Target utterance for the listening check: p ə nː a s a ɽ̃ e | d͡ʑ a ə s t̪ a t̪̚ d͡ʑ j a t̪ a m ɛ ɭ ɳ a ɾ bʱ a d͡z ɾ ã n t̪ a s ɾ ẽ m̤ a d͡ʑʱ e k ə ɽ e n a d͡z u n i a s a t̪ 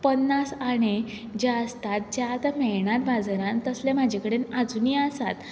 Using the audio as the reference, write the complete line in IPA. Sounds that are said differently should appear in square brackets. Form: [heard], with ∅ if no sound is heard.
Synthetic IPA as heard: p ə nː a s a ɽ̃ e | d͡ʑ a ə s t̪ a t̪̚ d͡ʑ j a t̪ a m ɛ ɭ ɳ a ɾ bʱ a d͡z ɾ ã n t̪ [ə] s [l] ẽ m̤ a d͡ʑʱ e k ə ɽ e n a d͡z u n i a s a t̪

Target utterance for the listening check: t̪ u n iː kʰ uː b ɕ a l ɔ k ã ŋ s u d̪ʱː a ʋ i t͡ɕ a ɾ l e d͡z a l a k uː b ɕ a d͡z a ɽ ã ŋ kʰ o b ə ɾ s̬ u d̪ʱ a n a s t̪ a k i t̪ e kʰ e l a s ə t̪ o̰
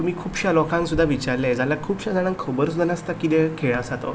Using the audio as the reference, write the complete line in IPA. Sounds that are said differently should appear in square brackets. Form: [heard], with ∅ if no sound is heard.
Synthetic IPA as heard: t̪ u [m] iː kʰ uː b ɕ a l ɔ k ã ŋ s u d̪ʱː a ʋ i t͡ɕ a ɾ l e d͡z a l a [kʰ] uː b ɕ a d͡z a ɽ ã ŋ kʰ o b ə ɾ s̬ u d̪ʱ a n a s t̪ a k i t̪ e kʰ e [ɭ] a s [a] t̪ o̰

